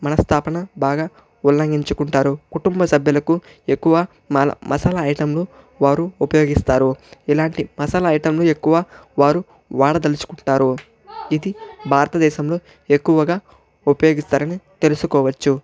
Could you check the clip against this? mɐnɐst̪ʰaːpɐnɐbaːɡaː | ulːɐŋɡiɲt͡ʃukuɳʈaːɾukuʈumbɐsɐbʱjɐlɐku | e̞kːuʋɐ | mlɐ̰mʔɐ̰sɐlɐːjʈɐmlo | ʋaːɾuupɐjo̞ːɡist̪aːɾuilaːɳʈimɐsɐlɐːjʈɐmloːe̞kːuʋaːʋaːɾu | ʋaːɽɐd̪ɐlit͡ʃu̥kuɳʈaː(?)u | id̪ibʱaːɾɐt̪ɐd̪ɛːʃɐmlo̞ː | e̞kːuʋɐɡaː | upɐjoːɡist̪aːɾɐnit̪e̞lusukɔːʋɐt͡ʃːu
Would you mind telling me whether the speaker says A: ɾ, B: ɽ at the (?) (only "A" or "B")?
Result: A